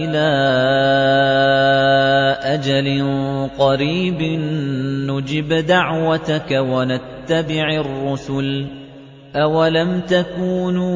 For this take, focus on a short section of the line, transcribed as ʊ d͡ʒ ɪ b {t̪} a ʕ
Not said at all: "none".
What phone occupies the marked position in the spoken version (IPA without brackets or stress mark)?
d̪